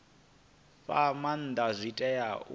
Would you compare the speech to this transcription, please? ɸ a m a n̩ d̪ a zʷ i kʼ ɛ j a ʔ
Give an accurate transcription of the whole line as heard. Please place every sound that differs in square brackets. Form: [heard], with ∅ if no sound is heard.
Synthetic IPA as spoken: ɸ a m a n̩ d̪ a zʷ i [tʼ] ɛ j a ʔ